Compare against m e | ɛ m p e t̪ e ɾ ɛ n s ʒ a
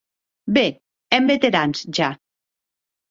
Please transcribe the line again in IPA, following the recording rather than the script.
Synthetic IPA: b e | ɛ m b e t̪ e ɾ a n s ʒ a

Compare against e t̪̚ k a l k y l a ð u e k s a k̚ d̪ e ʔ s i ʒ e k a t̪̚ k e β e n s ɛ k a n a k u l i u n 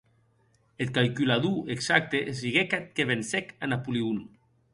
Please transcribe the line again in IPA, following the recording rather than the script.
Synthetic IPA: e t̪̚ k a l k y l a ð u e k s a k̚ t̪ e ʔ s i ɣ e k a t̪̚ k e β e n s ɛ k a n a p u l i u n

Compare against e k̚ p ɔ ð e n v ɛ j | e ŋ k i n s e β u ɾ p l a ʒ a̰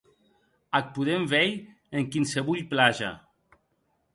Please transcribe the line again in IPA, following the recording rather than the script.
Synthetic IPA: a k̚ p u ð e m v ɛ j | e ŋ k i n s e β u ʎ p l a ʒ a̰

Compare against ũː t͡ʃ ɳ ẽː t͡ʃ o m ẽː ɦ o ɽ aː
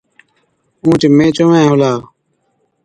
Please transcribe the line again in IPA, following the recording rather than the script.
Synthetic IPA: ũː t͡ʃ m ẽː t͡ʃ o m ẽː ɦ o l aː

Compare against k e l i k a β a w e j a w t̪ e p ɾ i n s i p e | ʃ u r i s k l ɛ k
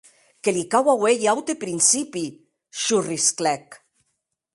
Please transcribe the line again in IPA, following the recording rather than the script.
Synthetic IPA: k e l i k a w a w e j a w t̪ e p ɾ i n s i p i | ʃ u r i s k l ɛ k

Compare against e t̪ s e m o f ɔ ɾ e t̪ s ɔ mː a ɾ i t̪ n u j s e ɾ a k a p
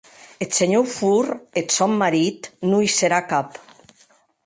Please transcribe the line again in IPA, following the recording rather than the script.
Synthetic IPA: e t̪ s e ɲ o f u ɾ e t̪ s ɔ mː a ɾ i t̪ n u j s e ɾ a k a p

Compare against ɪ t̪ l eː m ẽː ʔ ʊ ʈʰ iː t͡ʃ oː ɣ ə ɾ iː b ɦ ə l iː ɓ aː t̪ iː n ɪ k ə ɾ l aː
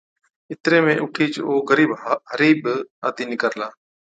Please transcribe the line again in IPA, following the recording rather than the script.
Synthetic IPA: ɪ t̪ ɾ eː m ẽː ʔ ʊ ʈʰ iː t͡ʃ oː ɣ ə ɾ iː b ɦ ə ɾ iː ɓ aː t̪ iː n ɪ k ə ɾ l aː

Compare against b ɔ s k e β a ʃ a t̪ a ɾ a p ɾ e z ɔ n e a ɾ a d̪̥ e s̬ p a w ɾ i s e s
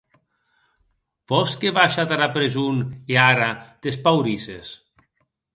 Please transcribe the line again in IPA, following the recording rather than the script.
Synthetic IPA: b ɔ s k e β a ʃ a t̪ a ɾ a p ɾ e z u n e a ɾ a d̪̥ e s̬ p a w ɾ i s e s

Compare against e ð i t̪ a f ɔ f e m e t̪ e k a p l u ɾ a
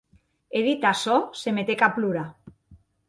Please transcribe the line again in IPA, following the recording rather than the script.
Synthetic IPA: e ð i t̪ a s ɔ s e m e t̪ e k a p l u ɾ a

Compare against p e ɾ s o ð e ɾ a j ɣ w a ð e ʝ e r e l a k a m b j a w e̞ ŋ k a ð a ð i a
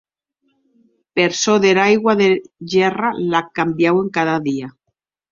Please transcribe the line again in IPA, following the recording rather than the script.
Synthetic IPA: p e ɾ s o ð e ɾ a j ɣ w a ð e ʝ e r a l a k a m b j a w e̞ ŋ k a ð a ð i a

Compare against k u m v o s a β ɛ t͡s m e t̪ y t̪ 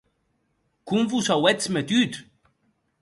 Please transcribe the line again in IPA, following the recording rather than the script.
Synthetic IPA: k u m v u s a w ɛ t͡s m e t̪ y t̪

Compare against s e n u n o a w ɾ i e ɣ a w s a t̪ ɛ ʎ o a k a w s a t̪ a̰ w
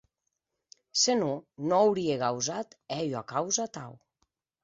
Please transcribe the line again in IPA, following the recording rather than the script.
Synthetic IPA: s e n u n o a w ɾ i e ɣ a w z a t̪ ɛ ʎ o a k a w z a t̪ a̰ w

